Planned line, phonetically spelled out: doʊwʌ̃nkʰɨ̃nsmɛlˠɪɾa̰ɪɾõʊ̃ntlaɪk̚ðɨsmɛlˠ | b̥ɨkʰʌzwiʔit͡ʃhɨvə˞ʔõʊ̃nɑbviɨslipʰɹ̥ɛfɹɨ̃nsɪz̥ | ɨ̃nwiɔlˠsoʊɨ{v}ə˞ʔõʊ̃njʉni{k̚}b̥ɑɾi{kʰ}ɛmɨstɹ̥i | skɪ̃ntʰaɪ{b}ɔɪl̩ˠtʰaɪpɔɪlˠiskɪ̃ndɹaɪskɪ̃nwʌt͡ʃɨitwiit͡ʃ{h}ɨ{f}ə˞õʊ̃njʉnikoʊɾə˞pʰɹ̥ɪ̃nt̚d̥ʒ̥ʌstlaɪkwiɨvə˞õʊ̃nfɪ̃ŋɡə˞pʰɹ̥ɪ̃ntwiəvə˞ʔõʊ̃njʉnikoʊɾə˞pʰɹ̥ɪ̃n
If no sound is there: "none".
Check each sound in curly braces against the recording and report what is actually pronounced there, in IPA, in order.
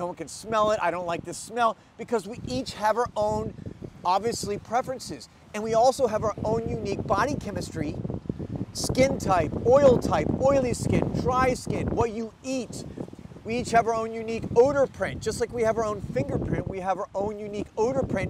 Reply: v, k̚, kʰ, p, h, v

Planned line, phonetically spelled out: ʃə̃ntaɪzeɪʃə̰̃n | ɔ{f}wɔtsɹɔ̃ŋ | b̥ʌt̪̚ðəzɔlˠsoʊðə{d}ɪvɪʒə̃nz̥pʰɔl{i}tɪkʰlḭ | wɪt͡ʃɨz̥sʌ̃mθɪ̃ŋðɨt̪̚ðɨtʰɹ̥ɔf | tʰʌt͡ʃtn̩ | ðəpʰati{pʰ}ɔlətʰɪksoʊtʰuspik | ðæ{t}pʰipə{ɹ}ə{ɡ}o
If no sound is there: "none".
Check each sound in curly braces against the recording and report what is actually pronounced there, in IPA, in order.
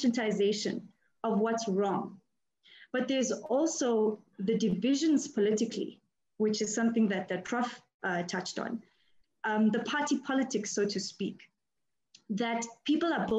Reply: v, d, ɪ, pʰ, t, l, b

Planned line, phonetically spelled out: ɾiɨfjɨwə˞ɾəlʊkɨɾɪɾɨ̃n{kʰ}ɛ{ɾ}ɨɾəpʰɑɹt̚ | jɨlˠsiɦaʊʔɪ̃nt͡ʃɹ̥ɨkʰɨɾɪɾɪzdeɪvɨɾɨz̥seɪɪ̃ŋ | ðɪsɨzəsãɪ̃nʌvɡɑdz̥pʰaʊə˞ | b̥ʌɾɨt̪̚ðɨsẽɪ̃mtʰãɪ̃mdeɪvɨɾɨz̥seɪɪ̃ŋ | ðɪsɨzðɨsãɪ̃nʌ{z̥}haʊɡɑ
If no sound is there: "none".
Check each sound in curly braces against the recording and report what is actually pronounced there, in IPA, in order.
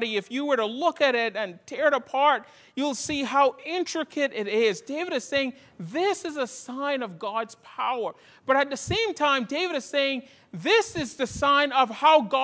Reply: tʰ, ɹ, v̥

